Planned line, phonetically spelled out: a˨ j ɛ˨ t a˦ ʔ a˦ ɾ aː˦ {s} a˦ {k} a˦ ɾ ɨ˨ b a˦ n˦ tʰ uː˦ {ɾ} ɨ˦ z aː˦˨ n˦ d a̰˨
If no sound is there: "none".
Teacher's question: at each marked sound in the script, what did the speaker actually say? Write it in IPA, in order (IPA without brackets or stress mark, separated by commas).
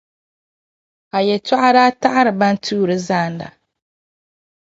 t, ʔ, ɾ